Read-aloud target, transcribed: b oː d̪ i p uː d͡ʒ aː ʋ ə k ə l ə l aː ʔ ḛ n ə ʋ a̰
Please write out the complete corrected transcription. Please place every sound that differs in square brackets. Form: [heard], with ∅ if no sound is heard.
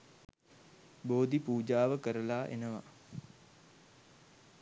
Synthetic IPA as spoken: b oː d̪ i p uː d͡ʒ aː ʋ ə k ə [ɾ] ə l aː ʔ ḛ n ə ʋ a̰